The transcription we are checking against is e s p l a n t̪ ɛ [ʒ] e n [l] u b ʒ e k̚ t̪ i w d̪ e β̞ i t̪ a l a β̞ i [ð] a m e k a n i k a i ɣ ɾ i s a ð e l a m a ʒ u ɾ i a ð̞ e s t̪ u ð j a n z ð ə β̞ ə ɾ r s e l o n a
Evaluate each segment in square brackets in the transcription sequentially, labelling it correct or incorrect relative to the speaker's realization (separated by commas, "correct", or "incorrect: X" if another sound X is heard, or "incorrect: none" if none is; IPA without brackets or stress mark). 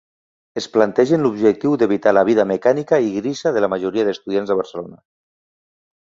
correct, correct, correct